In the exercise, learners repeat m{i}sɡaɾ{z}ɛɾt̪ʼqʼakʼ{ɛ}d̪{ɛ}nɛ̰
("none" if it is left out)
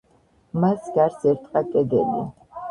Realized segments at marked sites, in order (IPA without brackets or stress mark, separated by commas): a, s, ɛ, ɛ